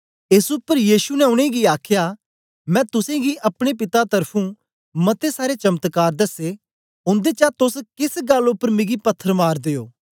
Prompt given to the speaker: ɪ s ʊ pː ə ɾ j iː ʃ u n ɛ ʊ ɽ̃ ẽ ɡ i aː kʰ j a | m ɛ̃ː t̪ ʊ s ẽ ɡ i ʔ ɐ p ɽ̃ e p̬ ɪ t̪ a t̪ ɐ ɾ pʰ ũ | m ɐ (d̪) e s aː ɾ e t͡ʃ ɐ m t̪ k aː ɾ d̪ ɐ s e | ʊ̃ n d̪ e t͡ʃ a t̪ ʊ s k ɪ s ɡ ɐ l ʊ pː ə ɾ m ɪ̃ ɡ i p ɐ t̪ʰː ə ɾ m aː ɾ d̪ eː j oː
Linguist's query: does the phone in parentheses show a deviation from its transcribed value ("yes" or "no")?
yes